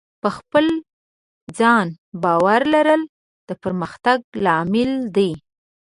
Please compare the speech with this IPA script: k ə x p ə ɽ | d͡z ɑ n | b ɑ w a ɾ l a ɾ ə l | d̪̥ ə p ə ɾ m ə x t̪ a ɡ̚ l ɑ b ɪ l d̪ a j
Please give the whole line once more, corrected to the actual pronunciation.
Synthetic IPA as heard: p ə x p ə l | d͡z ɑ n | b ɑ w a ɾ l a ɾ ə l | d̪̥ ə p ə ɾ m ə x t̪ a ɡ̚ l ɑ m ɪ l d̪ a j